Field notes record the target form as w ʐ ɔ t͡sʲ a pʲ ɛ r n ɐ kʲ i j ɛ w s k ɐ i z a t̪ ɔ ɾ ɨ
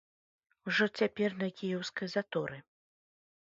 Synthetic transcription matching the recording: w ʐ ɔ t͡sʲ a pʲ ɛ r n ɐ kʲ i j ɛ w s k ɐ j z a t̪ ɔ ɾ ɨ